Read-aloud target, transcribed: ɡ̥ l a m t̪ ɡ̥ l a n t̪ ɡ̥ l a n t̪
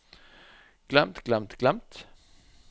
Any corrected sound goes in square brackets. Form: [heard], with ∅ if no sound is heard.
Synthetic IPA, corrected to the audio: ɡ̥ l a m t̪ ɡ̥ l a [m] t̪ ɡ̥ l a [m] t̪